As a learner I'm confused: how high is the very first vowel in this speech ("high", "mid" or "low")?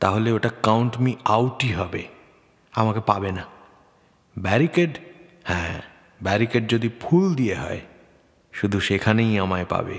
low